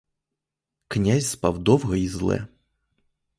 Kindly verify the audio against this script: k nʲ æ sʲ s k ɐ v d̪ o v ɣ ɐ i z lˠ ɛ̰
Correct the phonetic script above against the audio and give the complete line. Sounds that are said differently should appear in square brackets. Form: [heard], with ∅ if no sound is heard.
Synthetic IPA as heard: k nʲ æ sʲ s [p] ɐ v d̪ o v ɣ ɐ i z lˠ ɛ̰